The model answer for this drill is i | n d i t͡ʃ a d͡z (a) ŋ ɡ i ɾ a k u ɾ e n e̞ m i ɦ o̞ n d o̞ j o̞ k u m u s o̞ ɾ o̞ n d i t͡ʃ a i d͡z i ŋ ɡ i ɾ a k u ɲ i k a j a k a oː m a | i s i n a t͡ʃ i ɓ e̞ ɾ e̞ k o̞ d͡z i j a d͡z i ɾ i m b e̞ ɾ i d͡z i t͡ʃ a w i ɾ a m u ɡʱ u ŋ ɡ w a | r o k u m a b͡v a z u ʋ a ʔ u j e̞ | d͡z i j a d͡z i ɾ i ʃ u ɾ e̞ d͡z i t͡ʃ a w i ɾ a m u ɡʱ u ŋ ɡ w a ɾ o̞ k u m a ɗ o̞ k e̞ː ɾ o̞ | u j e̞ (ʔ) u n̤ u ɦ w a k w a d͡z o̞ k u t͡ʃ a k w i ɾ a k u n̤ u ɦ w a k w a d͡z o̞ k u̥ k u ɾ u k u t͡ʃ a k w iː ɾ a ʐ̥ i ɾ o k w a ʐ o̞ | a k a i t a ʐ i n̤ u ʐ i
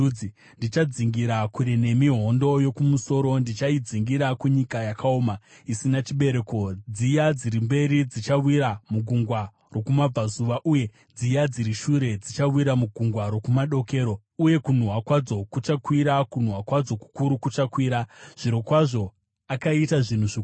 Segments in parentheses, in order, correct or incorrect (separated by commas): incorrect, incorrect